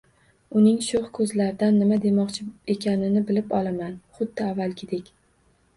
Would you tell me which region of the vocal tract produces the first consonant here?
tongue tip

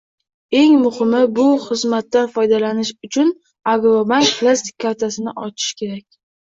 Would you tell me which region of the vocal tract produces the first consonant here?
velum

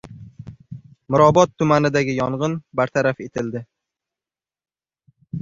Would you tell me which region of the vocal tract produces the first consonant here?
lips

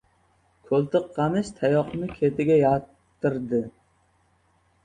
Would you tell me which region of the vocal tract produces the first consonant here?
velum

